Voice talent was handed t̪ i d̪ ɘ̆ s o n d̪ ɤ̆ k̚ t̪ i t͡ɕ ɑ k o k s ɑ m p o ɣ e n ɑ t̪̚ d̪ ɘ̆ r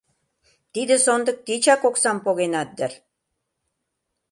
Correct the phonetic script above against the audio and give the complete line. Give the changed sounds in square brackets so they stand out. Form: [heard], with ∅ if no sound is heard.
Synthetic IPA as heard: t̪ i d̪ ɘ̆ s o n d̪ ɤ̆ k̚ t̪ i t͡ɕ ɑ k o k s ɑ m p o ɣ e n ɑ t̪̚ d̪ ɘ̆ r